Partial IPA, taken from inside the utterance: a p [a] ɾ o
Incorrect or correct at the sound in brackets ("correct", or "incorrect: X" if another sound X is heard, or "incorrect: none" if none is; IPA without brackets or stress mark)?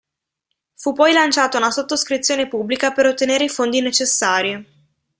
incorrect: e